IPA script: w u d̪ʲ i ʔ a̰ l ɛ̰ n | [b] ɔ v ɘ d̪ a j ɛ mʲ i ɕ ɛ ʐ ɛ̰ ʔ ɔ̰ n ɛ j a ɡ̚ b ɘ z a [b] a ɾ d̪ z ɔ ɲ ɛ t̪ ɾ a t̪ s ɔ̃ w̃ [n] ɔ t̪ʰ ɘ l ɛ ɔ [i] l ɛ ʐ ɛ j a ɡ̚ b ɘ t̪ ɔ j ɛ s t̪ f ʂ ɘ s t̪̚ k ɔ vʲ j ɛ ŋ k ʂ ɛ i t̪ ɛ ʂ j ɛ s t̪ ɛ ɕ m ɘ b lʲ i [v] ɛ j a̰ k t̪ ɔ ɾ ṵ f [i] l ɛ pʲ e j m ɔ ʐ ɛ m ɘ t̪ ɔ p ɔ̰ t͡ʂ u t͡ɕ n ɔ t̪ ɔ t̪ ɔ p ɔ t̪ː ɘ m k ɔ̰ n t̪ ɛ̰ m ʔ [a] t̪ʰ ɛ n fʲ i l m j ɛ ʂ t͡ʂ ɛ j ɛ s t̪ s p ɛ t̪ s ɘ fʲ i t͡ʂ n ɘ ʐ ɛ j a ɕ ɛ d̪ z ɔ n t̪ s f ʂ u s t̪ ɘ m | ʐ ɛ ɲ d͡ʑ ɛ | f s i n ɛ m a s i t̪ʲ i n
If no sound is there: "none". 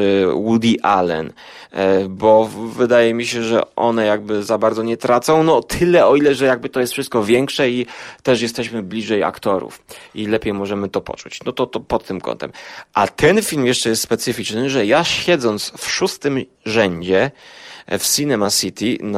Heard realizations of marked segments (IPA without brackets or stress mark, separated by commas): b, b, n, i, ʐ, i, a